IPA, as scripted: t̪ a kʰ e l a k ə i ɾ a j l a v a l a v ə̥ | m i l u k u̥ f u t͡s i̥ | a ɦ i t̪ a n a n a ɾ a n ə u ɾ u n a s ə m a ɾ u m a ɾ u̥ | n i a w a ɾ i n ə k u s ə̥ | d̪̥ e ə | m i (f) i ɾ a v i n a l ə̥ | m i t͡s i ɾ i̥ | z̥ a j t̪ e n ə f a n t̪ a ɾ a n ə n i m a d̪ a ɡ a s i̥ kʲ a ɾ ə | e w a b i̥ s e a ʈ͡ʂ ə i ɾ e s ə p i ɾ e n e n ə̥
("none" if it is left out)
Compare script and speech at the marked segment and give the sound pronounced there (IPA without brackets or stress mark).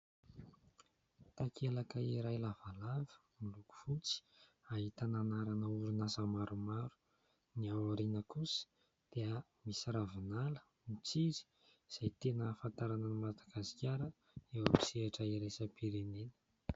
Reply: s